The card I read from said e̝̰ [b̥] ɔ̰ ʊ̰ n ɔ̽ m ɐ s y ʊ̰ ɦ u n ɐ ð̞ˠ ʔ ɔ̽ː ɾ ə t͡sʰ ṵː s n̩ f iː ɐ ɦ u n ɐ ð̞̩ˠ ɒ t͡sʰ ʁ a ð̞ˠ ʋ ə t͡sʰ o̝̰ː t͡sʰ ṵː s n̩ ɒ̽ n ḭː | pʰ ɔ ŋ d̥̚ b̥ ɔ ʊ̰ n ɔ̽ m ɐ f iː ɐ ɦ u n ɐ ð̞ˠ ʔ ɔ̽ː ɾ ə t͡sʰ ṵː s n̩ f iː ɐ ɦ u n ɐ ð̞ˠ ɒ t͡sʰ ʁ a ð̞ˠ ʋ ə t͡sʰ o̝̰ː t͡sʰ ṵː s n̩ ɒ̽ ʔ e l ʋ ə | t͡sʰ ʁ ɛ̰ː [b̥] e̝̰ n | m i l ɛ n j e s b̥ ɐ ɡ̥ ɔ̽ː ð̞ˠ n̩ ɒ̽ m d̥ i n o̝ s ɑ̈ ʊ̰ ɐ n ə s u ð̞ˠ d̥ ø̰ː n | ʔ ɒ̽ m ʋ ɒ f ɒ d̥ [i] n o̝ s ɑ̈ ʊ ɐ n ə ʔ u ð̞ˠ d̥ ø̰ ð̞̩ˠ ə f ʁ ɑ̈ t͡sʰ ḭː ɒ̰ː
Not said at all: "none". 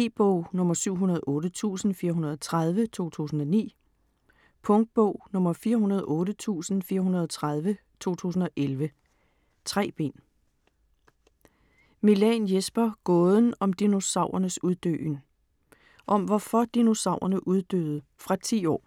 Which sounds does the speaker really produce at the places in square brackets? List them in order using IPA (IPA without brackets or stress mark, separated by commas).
b̥, b̥, i